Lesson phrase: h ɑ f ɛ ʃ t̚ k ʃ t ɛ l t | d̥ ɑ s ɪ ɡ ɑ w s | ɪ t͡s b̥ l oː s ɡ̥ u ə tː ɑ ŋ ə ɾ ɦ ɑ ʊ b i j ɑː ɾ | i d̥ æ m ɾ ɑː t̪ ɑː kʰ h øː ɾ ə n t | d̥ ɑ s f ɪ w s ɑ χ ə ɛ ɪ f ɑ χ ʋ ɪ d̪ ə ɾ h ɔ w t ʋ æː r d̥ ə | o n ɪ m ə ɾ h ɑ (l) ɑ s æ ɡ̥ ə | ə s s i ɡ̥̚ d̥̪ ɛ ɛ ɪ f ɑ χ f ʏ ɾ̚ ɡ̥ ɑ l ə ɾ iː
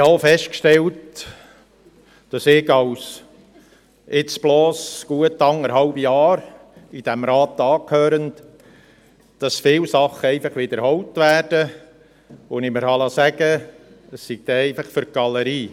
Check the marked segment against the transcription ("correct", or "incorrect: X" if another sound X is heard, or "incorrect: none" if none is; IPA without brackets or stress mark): correct